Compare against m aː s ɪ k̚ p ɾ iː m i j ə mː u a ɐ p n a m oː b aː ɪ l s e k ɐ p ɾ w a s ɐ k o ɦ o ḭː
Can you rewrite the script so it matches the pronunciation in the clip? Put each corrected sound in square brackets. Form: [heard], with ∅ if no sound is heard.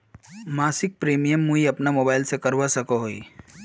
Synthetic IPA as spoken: m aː s ɪ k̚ p ɾ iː m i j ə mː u [i] ɐ p n a m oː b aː ɪ l s e k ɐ [∅] ɾ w a s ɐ k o ɦ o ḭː